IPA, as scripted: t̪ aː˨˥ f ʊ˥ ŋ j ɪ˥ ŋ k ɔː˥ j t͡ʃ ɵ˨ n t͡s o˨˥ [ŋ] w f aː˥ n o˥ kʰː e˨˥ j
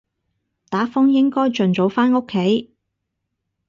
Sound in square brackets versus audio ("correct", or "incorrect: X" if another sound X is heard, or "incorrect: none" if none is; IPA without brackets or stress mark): incorrect: none